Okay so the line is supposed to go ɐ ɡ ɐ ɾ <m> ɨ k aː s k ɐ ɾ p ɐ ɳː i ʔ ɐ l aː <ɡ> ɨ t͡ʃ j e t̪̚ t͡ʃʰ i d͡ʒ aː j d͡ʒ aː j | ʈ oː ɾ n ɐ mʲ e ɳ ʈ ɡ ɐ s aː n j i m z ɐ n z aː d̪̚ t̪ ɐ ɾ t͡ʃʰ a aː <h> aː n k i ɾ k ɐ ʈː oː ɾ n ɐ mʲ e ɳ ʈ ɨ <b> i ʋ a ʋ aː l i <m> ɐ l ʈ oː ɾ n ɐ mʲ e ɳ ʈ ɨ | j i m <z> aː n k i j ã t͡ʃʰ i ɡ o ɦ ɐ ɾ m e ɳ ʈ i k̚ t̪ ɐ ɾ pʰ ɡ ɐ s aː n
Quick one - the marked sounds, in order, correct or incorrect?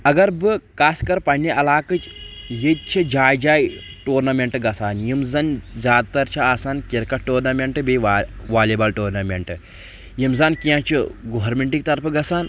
incorrect, incorrect, incorrect, correct, incorrect, correct

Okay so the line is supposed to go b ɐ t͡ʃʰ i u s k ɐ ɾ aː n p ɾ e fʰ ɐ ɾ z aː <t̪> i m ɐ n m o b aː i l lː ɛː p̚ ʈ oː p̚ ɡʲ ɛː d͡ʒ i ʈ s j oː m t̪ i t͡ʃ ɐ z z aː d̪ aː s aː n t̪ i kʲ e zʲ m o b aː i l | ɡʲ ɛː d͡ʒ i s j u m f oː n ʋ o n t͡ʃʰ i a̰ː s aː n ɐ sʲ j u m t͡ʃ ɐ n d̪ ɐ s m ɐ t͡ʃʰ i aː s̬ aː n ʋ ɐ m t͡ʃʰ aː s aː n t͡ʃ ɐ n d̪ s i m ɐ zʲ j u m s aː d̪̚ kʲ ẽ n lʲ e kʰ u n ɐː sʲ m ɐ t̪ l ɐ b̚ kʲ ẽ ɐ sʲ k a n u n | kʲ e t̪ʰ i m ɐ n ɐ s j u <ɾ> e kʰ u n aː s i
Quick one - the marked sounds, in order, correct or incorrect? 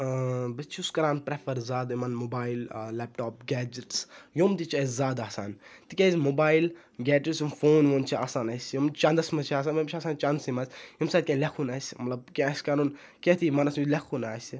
incorrect, incorrect

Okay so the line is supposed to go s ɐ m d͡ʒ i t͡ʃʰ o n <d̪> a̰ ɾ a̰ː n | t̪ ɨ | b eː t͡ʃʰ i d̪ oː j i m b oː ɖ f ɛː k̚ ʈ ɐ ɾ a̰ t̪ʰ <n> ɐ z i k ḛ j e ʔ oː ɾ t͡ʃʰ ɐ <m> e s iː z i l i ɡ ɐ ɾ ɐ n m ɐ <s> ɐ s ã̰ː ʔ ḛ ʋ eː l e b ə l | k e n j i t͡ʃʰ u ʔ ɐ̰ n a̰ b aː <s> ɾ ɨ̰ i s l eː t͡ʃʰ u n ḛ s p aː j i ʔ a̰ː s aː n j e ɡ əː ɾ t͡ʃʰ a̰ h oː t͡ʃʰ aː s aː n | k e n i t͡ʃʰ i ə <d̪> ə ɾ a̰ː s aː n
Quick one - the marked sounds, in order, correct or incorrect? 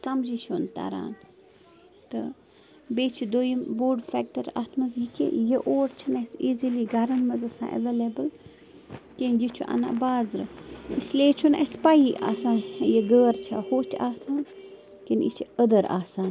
incorrect, incorrect, incorrect, incorrect, incorrect, correct

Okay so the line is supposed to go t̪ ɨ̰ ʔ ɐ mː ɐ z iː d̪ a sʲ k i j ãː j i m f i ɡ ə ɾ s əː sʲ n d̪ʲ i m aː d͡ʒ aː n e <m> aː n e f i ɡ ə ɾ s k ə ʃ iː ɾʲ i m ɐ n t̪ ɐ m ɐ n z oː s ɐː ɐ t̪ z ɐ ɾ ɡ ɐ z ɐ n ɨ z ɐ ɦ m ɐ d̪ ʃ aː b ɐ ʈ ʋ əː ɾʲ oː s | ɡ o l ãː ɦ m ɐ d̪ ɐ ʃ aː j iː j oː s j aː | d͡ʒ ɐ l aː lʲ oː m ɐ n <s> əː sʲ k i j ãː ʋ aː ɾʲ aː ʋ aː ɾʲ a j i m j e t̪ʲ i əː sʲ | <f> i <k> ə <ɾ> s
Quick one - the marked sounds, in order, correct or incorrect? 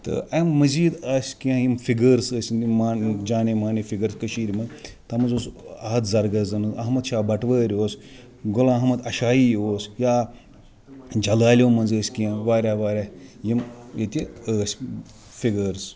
correct, incorrect, correct, incorrect, correct

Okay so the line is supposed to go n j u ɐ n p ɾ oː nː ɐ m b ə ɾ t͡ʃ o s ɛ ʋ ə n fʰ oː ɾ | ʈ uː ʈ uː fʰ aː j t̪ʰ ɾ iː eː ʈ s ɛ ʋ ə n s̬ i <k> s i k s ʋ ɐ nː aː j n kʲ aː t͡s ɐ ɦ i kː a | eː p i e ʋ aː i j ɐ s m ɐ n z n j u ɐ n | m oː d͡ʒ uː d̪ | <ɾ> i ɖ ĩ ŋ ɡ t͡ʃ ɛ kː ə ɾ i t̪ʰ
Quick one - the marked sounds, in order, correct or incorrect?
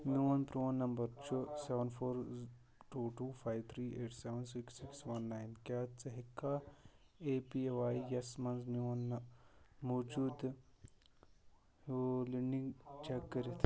correct, incorrect

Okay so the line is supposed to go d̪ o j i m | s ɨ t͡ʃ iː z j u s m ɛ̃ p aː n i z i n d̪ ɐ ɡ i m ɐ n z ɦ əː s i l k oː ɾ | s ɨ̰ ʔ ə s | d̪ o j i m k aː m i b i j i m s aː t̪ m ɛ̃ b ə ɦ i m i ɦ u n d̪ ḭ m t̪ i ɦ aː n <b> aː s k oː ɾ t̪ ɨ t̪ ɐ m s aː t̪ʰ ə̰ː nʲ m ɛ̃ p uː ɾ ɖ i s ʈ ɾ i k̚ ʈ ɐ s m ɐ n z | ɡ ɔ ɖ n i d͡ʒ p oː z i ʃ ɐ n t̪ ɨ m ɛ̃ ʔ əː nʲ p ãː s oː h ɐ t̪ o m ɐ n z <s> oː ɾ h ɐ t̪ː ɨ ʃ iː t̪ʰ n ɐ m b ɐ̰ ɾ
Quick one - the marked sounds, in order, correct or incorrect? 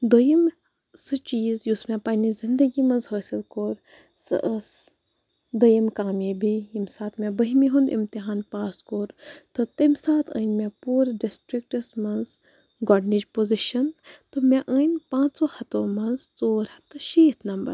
incorrect, incorrect

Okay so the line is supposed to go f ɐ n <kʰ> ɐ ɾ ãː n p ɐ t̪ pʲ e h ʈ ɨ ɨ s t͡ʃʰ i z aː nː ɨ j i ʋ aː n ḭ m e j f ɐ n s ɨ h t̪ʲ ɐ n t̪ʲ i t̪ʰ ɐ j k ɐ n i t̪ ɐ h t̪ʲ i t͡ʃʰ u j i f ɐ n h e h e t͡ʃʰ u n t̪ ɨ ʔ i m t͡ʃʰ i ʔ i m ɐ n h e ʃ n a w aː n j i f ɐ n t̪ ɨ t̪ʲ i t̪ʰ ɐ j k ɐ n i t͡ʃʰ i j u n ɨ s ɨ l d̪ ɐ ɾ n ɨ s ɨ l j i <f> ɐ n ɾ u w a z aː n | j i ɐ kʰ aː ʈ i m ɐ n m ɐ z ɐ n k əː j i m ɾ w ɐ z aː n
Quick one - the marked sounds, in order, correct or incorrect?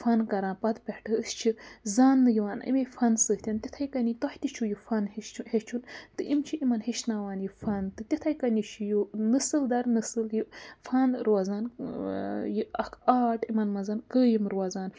incorrect, correct

